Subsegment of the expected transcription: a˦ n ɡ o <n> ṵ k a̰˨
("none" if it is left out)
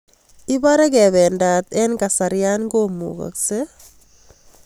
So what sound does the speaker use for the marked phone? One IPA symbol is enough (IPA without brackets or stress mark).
m